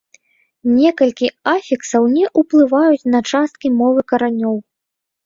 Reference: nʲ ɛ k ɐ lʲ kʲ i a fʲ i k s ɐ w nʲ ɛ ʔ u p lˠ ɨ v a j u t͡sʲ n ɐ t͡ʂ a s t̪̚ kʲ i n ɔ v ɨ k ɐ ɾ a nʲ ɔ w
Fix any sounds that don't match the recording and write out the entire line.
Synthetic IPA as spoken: nʲ ɛ k ɐ lʲ kʲ i a fʲ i k s ɐ w nʲ ɛ ʔ u p lˠ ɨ v a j u t͡sʲ n ɐ t͡ʂ a s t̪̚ kʲ i m ɔ v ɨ k ɐ ɾ a nʲ ɔ w